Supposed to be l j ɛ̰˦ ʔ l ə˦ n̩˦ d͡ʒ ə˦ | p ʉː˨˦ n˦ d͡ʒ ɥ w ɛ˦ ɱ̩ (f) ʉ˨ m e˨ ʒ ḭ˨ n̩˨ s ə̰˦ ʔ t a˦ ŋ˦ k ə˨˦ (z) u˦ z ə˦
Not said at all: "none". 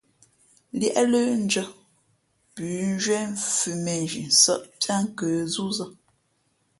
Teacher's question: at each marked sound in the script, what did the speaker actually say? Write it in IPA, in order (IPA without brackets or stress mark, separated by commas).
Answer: f, z